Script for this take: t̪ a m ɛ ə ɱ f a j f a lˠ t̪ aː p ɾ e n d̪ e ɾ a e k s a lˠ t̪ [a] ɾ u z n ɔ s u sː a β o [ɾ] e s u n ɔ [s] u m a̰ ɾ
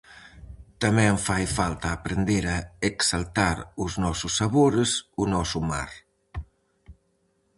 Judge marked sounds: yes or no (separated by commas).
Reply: yes, yes, yes